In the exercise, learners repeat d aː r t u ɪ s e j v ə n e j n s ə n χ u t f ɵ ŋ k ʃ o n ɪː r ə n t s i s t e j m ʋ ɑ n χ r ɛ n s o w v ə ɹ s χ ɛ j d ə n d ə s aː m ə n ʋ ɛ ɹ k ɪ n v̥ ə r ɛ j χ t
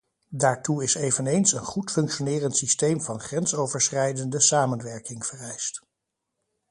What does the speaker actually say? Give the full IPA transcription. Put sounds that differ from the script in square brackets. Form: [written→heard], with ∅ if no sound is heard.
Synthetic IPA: d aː [r→ɹ] t u ɪ s e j v ə n e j n s ə n χ u t f ɵ ŋ k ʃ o n ɪː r ə n t s i s t e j m [ʋ→v] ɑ n χ r ɛ n s o w v ə ɹ s χ ɛ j d ə n d ə s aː m ə n ʋ ɛ ɹ k ɪ [n→ŋ] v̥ ə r ɛ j [χ→s] t

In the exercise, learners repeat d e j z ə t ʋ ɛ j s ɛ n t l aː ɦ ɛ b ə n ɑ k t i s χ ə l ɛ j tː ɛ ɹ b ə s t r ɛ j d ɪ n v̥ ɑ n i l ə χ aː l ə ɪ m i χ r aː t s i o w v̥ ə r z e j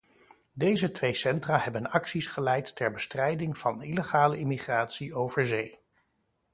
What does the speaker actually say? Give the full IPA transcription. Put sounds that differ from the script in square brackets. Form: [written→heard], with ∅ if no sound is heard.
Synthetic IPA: d e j z ə t ʋ [ɛ→e] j s ɛ n t [l→r] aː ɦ ɛ b ə n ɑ k [t→s] i s χ ə l ɛ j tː ɛ ɹ b ə s t r ɛ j d ɪ [n→ŋ] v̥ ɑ n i l ə χ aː l ə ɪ m i χ r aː t s i o w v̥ ə [r→ɹ] z e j

